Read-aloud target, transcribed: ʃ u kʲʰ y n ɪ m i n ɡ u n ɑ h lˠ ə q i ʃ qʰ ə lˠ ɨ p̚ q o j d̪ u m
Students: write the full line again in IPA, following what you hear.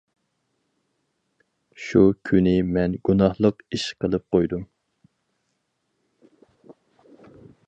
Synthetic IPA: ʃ u kʲʰ y n ɪ m ɛ n ɡ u n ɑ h lˠ ə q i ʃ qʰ ə lˠ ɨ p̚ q o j d̪ u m